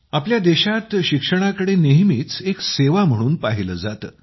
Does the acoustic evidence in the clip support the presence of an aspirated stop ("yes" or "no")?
no